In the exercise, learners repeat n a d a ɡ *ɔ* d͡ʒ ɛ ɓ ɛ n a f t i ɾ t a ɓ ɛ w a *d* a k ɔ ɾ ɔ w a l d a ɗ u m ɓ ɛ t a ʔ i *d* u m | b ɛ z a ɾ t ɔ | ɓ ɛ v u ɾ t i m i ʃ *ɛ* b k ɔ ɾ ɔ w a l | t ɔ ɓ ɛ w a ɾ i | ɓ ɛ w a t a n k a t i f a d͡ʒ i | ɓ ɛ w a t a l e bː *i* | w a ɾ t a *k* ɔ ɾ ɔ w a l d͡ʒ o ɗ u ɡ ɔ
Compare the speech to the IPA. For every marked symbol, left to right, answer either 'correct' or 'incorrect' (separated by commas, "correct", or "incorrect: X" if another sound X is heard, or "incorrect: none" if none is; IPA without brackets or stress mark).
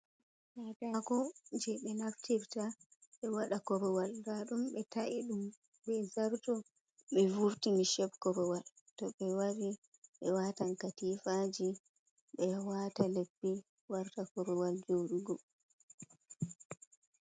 correct, incorrect: ɗ, incorrect: ɗ, correct, correct, correct